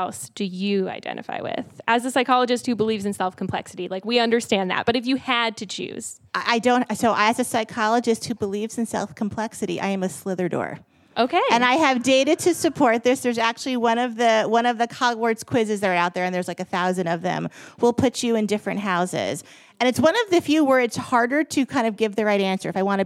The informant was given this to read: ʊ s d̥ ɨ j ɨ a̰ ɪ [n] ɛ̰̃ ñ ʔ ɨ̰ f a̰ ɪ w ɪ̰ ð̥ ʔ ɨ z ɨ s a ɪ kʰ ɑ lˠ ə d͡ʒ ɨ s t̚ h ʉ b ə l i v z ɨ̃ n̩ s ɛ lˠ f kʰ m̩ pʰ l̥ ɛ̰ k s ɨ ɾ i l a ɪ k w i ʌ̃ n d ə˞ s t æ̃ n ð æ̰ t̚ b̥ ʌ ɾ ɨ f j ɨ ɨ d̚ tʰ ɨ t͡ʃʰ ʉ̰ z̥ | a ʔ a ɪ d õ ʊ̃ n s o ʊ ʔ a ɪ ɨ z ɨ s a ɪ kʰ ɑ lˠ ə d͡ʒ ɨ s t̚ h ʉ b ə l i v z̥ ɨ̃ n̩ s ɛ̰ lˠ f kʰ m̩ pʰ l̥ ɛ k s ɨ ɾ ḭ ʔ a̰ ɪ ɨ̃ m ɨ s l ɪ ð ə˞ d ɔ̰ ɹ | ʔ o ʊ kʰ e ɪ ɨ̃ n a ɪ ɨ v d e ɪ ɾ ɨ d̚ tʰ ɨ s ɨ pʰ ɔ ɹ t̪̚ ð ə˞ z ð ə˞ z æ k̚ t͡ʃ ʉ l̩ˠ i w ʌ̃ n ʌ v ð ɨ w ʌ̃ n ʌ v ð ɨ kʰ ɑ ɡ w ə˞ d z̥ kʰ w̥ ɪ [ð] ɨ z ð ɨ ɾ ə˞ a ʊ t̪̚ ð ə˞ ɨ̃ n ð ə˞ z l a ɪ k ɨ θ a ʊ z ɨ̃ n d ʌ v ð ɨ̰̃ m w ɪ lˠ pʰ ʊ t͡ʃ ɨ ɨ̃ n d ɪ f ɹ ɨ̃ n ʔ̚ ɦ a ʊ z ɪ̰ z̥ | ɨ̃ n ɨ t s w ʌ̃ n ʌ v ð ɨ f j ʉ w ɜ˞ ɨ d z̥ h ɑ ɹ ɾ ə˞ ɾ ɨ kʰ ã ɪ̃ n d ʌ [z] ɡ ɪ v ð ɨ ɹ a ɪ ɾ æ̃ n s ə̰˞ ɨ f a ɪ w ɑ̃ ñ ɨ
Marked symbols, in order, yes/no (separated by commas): no, no, no